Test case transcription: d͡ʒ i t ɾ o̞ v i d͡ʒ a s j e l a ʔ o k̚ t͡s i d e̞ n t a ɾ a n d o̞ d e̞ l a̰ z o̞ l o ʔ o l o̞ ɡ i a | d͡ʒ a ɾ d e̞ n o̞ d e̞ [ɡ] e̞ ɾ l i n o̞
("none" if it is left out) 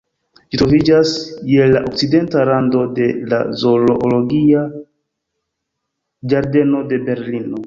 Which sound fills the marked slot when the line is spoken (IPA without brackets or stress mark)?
b